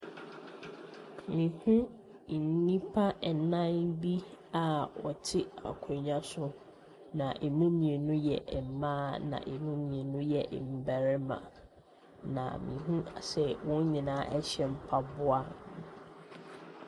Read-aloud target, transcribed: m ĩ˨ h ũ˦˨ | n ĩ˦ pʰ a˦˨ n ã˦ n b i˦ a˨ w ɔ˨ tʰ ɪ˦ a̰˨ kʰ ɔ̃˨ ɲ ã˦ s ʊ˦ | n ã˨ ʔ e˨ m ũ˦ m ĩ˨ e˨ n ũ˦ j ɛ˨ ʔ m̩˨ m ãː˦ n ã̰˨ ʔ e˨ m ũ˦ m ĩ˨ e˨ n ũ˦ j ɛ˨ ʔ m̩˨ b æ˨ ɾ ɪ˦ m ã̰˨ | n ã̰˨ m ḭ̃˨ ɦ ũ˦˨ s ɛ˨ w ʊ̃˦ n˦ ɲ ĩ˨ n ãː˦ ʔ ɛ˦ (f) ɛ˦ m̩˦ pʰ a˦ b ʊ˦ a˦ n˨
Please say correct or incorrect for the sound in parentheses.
incorrect